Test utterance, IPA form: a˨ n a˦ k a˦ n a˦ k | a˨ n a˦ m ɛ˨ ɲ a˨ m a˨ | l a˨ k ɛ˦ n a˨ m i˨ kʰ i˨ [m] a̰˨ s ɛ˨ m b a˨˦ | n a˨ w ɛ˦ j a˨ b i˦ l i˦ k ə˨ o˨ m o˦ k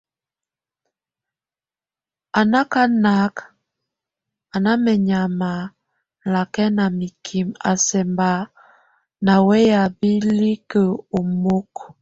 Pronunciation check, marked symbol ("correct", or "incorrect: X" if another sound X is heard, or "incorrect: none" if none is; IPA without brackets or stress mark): correct